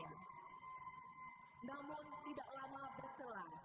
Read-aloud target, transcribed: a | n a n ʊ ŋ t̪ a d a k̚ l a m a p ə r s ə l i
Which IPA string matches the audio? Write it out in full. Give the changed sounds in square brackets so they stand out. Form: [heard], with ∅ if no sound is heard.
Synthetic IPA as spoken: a | n a [m] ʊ [n] t̪ [i] d a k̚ l a m a [b] ə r s ə l [a]